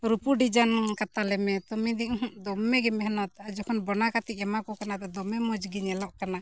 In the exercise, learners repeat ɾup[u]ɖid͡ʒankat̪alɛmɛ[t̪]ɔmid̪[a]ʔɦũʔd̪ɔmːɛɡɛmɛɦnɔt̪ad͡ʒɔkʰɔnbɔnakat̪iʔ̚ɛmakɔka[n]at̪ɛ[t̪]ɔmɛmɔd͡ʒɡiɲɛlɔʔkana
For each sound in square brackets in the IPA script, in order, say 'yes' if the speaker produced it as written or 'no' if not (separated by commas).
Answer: yes, yes, no, yes, no